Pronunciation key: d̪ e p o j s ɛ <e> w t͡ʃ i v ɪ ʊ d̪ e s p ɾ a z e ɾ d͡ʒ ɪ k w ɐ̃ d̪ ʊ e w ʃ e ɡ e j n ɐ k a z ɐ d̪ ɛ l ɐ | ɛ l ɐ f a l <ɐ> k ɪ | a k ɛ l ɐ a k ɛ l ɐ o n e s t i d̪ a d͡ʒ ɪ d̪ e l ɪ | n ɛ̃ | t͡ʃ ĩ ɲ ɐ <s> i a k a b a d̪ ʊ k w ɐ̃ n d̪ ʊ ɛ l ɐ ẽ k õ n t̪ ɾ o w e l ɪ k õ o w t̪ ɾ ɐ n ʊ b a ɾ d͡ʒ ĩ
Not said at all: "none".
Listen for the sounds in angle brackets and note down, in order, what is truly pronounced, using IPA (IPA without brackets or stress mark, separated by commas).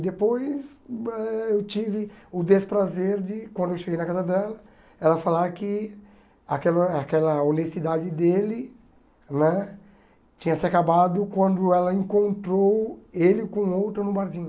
e, a, s